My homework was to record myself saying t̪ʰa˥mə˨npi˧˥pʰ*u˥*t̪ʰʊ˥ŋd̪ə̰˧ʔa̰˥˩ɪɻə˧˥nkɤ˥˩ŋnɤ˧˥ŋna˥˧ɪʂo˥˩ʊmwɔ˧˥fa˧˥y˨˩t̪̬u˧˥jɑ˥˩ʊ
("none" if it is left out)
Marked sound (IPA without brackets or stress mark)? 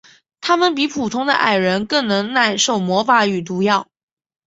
u˨˩